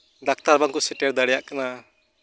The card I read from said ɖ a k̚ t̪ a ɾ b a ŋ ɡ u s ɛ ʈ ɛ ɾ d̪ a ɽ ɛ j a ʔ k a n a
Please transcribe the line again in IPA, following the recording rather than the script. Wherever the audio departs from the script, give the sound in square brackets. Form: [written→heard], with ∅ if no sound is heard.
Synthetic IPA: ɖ a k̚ t̪ a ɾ b a ŋ [ɡ→k] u s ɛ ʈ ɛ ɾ d̪ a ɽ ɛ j a ʔ k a n a